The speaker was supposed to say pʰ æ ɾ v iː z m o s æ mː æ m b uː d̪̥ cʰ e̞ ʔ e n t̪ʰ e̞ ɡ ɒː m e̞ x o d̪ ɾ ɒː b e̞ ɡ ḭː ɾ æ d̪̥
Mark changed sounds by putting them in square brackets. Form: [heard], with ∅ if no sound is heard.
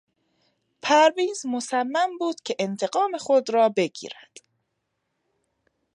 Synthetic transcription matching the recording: pʰ æ ɾ v iː z m o s æ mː æ m b uː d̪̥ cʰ e̞ ʔ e n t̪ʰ e̞ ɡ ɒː m e̞ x o d̪ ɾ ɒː b e̞ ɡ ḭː ɾ æ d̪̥